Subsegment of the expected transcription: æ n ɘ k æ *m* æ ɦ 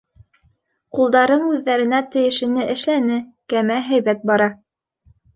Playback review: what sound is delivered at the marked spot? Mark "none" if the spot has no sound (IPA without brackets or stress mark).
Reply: m